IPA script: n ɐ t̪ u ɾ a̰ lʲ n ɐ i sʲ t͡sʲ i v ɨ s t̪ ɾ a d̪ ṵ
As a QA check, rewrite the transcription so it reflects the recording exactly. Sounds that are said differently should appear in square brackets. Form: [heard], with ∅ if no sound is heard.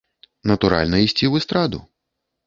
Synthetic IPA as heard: n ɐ t̪ u ɾ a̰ lʲ n ɐ i sʲ t͡sʲ i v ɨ s t̪ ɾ a d̪ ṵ